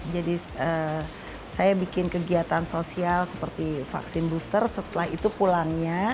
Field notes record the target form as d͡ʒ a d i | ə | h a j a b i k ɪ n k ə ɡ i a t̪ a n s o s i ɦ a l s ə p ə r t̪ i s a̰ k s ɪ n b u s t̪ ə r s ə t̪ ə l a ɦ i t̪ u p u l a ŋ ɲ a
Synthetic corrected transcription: d͡ʒ a d i | ə | s a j a b i k ɪ n k ə ɡ i a t̪ a n s o s i a l s ə p ə r t̪ i f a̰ k s ɪ n b u s t̪ ə r s ə t̪ ə l a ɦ i t̪ u p u l a ŋ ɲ a